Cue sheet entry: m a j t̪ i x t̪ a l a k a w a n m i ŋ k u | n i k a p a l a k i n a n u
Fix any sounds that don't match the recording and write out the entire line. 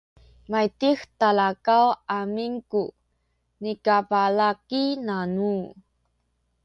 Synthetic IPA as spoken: m a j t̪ i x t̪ a l a k a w a m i ŋ k u | n i k a p a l a k i n a n u